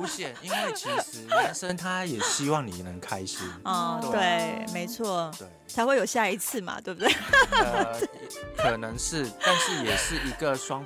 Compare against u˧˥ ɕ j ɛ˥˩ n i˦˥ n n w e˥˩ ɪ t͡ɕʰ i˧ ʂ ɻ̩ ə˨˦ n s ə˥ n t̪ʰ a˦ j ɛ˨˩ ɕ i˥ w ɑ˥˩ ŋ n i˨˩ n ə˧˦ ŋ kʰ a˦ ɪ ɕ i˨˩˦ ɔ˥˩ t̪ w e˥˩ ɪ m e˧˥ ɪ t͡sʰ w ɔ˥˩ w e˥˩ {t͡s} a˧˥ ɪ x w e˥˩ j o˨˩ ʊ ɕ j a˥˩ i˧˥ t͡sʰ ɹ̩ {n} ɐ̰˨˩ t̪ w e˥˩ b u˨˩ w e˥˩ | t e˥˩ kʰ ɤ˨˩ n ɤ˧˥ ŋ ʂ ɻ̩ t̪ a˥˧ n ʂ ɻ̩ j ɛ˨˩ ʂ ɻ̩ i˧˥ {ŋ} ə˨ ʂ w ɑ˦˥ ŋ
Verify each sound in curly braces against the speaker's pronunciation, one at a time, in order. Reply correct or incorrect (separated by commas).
incorrect, incorrect, incorrect